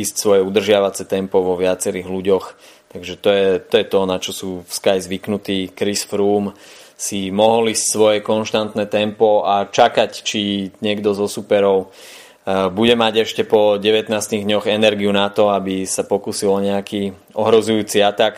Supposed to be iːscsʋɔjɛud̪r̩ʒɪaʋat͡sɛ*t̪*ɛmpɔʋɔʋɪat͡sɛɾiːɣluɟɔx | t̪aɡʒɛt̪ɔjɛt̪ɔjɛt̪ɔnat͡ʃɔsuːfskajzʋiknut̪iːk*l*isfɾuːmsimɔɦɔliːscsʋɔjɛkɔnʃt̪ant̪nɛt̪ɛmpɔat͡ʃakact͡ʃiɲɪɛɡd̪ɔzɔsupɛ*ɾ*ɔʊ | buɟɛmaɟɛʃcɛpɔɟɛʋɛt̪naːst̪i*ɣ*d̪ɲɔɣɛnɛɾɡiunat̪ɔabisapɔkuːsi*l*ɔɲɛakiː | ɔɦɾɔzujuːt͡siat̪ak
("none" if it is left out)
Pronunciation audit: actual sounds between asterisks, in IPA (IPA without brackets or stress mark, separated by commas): t̪, ɾ, ɾ, ɣ, l